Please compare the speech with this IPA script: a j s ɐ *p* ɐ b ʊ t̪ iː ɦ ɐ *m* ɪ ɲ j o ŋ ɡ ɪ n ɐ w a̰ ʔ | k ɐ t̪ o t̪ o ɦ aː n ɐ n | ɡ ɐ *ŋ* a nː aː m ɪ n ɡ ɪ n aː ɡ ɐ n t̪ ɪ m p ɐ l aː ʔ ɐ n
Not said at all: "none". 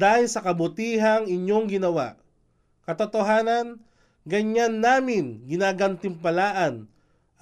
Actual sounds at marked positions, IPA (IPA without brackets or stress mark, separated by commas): k, ŋ, ɲ